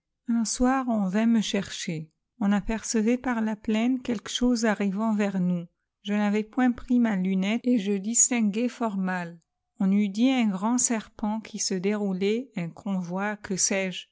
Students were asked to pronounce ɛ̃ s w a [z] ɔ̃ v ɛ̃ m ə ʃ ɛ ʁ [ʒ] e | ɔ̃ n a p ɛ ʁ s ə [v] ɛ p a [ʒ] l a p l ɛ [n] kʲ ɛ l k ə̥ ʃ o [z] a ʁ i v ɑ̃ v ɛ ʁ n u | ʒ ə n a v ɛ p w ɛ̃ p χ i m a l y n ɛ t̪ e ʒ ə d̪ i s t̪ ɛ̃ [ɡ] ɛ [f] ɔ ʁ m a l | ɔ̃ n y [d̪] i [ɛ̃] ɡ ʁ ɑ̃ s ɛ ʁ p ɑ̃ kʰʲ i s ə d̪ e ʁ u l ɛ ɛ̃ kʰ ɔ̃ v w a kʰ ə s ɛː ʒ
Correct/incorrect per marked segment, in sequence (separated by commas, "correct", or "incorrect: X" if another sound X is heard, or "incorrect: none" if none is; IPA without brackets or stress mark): incorrect: ʁ, incorrect: ʃ, correct, incorrect: ʁ, correct, correct, correct, correct, correct, correct